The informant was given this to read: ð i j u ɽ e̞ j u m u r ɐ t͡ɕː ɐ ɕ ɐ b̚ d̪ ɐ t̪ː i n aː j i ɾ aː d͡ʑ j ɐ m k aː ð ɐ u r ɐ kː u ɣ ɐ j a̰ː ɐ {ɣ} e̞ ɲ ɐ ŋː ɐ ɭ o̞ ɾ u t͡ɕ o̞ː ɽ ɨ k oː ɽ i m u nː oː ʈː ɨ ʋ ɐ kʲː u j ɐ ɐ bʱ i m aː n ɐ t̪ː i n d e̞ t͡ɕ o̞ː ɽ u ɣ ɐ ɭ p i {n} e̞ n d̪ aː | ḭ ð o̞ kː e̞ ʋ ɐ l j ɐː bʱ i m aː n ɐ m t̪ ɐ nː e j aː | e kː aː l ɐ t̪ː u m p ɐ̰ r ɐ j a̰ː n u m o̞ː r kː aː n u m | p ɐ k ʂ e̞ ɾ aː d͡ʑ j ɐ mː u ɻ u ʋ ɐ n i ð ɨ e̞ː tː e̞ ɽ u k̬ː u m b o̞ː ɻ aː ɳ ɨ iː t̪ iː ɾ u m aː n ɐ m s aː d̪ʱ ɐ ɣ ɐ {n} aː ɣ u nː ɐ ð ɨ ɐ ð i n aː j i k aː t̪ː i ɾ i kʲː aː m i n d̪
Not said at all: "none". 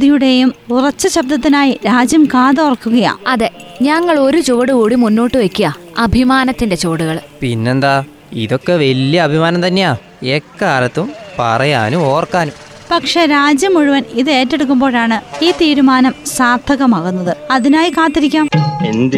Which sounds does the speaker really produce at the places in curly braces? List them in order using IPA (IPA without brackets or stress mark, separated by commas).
ð, nː, m